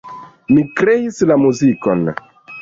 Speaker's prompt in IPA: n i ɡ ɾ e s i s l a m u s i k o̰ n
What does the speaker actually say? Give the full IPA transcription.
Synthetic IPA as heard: m i k ɾ e i s l a m u z i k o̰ n